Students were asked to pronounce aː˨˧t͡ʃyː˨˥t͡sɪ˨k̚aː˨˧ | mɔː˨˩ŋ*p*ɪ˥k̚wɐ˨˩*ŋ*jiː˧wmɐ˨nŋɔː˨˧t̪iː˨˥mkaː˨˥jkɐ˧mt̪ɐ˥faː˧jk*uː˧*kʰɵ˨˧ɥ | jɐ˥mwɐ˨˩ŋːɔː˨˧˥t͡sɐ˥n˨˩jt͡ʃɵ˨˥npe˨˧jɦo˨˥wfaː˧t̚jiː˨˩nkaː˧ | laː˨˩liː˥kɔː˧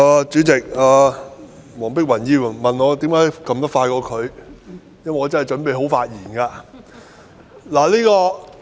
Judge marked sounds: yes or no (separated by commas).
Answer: yes, no, no